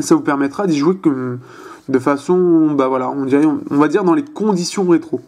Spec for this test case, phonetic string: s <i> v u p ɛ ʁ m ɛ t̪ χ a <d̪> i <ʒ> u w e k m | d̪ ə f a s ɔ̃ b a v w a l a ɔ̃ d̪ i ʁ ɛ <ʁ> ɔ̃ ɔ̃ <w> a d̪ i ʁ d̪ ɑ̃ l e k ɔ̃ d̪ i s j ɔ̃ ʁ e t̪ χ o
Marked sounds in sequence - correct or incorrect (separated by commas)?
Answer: incorrect, correct, correct, incorrect, incorrect